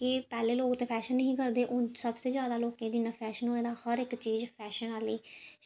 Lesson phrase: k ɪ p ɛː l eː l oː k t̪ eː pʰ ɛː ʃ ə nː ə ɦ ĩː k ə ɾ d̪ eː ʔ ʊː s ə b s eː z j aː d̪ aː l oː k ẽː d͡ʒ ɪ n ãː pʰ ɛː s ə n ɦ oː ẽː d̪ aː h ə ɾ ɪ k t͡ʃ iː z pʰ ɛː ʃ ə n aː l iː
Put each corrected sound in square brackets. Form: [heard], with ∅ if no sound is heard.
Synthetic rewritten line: k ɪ p ɛː l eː l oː k t̪ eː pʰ ɛː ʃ ə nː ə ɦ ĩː k ə ɾ d̪ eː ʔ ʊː s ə b s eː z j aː d̪ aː l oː k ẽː d͡ʒ ɪ n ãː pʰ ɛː [ʃ] ə n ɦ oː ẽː d̪ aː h ə ɾ ɪ k t͡ʃ iː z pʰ ɛː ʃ ə n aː l iː